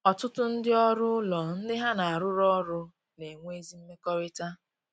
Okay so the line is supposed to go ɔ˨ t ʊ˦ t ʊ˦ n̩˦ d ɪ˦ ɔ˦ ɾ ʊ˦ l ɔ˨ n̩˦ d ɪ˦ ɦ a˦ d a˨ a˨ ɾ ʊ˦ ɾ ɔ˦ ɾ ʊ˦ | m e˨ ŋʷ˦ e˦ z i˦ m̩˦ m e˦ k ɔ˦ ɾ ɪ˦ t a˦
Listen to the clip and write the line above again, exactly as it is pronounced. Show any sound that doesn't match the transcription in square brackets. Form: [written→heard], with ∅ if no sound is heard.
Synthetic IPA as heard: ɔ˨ t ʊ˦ t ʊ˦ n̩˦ d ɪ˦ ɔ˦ ɾ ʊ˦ l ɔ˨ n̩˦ d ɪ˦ ɦ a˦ [d→n] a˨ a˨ ɾ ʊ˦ ɾ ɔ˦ ɾ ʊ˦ | [m→n] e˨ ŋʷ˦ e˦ z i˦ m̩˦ m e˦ k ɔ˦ ɾ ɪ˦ t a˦